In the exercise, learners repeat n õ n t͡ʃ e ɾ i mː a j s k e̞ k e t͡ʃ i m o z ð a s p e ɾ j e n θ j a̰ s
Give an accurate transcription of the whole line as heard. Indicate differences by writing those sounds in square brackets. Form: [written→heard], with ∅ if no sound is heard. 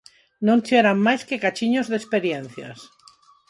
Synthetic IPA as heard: n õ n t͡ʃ e ɾ [i→a] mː a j s k e̞ k [e→a] t͡ʃ i [m→ɲ] o z ð [a→e] s p e ɾ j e n θ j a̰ s